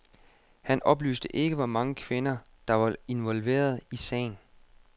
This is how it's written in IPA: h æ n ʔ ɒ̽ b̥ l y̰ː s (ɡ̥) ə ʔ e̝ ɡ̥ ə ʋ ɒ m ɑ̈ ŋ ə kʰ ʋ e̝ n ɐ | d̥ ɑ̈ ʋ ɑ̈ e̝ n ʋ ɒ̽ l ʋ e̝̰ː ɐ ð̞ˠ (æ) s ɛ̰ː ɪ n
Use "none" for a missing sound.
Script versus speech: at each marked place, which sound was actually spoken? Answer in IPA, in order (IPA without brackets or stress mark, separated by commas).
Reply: d̥, i